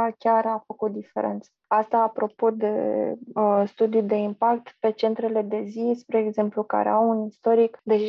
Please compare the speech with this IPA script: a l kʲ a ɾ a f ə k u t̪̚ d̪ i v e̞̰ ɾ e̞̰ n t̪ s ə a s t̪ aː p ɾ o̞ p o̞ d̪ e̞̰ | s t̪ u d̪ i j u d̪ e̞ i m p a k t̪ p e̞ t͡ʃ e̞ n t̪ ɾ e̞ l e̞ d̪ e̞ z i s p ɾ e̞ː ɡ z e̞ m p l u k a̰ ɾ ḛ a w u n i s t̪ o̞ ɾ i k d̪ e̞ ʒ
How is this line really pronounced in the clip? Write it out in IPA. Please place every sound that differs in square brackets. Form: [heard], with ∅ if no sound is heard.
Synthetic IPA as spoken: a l kʲ a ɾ a f ə k u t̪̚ d̪ i [f] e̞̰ ɾ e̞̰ n t̪ s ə a s t̪ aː p ɾ o̞ p o̞ d̪ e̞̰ | s t̪ u d̪ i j u d̪ e̞ i m p a k t̪ p e̞ t͡ʃ e̞ n t̪ ɾ e̞ l e̞ d̪ e̞ z i s p ɾ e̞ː ɡ z e̞ m p l u k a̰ ɾ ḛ a w u n i s t̪ o̞ ɾ i k d̪ e̞ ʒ